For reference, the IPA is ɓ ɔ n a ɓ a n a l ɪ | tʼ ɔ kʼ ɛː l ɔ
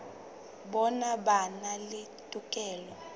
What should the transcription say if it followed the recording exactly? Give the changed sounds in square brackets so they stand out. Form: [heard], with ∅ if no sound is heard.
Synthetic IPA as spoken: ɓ ɔ n a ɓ a n a l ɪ | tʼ [u] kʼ ɛː l ɔ